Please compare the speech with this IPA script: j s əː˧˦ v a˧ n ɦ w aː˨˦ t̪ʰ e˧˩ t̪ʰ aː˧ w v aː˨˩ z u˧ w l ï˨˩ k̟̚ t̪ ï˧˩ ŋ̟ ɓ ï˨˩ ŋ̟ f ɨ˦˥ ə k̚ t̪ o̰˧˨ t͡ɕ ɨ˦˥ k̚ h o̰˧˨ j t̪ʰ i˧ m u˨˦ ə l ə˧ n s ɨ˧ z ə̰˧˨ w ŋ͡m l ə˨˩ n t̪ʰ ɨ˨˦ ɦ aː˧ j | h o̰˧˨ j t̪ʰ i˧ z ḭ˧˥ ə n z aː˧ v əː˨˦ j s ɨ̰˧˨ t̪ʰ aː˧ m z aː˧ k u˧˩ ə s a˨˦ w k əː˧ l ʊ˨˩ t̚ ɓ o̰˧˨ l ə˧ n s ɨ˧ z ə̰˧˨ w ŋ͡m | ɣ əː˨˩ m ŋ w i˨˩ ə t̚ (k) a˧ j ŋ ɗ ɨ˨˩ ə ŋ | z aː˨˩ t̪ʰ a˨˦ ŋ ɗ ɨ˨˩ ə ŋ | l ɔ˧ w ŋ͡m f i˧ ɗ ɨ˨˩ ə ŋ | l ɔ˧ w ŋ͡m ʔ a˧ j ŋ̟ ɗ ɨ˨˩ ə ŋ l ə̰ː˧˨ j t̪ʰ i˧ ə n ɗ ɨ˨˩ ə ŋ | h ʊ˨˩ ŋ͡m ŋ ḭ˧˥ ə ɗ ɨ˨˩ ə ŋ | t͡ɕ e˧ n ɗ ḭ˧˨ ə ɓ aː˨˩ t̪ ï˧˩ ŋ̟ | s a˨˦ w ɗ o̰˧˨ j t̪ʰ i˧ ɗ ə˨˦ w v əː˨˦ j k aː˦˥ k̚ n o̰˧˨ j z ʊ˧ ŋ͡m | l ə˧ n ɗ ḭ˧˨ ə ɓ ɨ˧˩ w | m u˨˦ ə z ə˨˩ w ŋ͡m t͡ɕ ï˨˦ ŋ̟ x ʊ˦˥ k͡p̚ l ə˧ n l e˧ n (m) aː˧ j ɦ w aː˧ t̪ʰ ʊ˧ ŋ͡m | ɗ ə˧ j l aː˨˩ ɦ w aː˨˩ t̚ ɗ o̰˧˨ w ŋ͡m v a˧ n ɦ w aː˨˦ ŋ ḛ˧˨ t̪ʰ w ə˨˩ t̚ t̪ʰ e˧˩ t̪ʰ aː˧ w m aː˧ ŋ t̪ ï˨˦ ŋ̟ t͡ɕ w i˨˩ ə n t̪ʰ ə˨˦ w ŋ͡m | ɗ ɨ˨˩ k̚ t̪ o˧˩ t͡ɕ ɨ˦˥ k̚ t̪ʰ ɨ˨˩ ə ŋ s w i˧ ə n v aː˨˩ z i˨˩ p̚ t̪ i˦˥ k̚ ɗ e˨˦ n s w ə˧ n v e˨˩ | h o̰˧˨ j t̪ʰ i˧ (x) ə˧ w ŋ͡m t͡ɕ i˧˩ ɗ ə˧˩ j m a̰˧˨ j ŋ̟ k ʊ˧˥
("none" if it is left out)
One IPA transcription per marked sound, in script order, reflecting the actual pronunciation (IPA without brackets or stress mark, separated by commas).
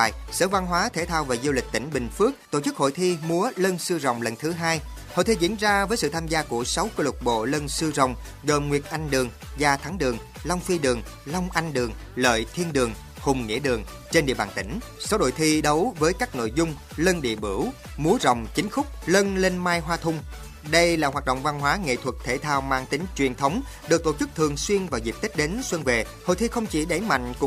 ʔ, m, x